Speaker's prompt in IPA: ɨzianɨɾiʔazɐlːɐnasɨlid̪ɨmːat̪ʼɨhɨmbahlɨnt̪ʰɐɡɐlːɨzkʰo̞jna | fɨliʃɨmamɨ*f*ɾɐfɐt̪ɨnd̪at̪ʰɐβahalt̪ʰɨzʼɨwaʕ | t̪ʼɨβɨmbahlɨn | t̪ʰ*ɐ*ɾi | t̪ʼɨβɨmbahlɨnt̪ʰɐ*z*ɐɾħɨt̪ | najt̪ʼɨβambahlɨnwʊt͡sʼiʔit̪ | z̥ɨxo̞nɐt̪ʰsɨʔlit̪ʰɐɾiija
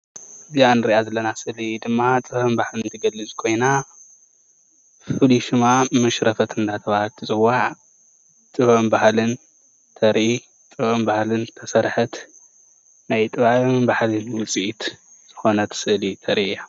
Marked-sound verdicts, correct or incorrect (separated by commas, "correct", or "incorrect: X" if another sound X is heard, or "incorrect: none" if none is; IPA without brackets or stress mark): incorrect: ʃ, correct, incorrect: s